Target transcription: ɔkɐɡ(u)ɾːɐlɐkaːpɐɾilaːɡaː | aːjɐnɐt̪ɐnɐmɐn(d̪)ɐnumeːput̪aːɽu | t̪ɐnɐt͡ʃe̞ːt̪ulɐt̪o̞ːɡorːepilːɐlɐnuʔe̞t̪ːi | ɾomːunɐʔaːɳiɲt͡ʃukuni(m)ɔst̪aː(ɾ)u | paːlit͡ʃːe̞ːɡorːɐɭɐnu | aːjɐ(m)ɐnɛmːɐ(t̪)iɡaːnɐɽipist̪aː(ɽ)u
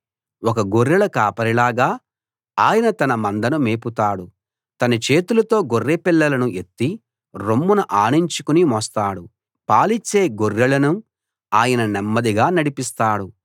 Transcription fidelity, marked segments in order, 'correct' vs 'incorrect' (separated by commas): incorrect, correct, correct, incorrect, incorrect, incorrect, correct